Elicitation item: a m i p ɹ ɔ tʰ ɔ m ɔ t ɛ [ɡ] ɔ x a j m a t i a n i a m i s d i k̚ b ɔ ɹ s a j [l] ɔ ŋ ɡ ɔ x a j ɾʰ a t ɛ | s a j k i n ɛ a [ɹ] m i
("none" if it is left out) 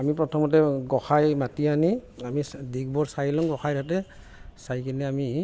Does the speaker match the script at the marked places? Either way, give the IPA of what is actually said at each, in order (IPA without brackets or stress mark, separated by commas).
ɡ, l, none